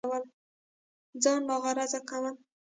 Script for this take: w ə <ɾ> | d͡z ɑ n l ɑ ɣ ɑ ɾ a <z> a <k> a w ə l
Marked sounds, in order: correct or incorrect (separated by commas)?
incorrect, correct, correct